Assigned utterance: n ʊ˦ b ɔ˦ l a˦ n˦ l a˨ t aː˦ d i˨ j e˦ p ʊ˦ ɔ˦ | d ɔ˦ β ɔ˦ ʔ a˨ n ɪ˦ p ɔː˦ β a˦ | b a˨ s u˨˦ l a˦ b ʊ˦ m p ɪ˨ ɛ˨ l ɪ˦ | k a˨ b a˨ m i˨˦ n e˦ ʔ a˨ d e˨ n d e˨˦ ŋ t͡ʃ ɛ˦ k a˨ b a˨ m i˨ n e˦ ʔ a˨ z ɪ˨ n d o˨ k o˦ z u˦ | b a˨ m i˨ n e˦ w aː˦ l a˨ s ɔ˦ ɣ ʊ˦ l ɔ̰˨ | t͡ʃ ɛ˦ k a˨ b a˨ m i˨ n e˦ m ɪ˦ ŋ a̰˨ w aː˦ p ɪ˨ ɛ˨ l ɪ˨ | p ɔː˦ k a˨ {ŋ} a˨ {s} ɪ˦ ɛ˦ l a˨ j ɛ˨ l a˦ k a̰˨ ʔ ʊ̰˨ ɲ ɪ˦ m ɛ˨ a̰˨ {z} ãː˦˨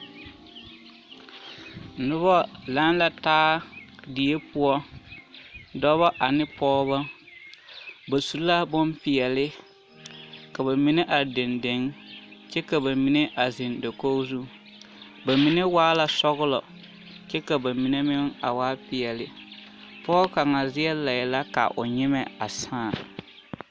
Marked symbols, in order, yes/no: yes, no, no

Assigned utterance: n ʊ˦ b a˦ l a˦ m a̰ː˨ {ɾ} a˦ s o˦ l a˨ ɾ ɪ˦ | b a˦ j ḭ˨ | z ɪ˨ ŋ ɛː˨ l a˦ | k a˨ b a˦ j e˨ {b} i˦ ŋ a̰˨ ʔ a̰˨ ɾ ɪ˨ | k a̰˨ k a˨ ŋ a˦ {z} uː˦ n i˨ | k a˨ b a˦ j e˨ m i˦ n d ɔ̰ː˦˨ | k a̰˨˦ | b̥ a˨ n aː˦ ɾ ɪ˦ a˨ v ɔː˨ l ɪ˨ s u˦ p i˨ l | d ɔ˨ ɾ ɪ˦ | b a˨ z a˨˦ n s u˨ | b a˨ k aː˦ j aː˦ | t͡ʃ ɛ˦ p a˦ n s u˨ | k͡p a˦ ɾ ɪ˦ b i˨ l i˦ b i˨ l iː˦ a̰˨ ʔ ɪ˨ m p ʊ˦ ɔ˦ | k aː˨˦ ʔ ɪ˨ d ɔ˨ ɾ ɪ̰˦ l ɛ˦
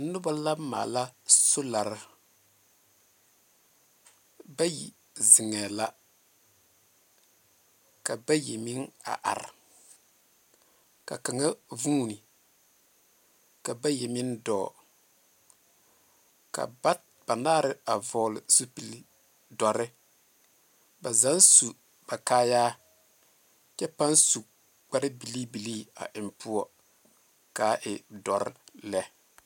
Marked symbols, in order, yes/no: no, no, no

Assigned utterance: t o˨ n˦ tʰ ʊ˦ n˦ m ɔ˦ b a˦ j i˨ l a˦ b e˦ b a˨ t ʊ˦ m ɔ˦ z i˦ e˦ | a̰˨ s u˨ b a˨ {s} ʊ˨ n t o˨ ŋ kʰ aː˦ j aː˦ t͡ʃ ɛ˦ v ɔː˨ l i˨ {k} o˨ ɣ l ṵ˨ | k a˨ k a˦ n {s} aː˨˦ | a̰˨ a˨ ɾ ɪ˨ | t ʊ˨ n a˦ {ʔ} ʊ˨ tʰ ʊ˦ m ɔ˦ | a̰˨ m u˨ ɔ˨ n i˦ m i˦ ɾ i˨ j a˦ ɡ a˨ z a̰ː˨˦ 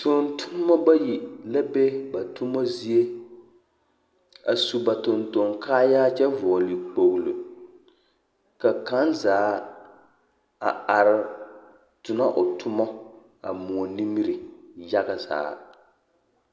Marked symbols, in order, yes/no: no, no, no, yes

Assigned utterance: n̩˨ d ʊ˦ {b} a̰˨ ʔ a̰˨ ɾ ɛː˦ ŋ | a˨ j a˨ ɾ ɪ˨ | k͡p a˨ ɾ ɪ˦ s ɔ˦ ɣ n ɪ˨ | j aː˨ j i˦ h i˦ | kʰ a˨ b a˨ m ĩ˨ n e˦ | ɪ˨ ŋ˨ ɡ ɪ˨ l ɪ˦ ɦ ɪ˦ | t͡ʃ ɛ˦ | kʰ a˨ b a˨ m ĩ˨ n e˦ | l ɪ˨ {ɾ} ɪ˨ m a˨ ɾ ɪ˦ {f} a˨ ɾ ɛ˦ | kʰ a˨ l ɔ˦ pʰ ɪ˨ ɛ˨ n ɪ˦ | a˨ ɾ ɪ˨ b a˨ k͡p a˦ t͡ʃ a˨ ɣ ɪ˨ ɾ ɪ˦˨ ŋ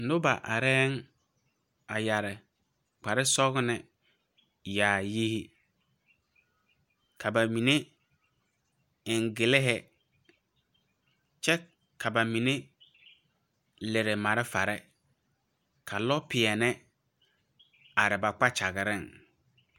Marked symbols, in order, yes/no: yes, yes, yes

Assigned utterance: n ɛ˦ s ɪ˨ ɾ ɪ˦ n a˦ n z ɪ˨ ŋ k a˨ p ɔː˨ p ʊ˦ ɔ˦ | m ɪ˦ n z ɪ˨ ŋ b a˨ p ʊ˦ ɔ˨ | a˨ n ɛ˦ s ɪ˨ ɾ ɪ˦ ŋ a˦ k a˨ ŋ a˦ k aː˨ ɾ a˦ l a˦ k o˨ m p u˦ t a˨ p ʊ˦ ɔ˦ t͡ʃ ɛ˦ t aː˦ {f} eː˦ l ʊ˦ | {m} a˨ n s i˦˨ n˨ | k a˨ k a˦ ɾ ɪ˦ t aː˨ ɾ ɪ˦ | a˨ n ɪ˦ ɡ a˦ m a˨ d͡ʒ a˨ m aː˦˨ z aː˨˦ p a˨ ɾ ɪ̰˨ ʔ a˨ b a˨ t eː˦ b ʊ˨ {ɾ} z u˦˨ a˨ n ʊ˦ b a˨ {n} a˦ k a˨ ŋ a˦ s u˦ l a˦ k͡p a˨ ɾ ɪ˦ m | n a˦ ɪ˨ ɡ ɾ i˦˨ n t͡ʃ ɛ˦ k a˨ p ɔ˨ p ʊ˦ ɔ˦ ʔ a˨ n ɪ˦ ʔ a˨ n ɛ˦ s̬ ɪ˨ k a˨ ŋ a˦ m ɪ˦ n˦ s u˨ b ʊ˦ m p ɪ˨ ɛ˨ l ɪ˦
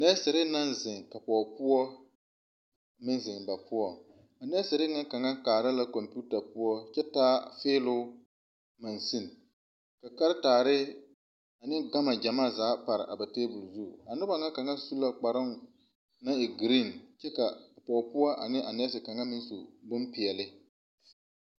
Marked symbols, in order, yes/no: yes, yes, no, no

